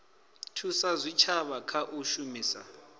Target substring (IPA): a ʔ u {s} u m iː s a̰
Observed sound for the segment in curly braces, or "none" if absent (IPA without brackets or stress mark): ʃ